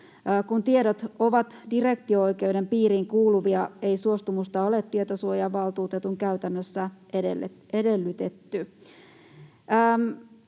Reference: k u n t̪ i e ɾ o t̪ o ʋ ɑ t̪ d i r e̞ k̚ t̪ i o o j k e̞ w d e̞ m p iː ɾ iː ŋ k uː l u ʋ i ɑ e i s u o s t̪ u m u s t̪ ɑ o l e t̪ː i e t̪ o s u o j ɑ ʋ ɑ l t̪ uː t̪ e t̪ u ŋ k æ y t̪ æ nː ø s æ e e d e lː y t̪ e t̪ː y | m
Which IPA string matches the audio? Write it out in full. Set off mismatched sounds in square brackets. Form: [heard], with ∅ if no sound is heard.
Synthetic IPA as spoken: k u n t̪ i e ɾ o t̪ o ʋ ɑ t̪ d i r e̞ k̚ t̪ i o o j k e̞ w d e̞ m p iː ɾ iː ŋ k uː l u ʋ i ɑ e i s u o s t̪ u m u s t̪ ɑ o l e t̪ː i e t̪ o s u o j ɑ ʋ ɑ l t̪ uː t̪ e t̪ u ŋ k æ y t̪ æ nː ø [sː] æ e e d e lː y t̪ e t̪ː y | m